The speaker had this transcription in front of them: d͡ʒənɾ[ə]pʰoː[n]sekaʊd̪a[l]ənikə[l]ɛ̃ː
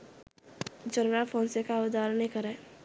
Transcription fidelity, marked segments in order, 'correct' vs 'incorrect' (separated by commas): incorrect, correct, incorrect, incorrect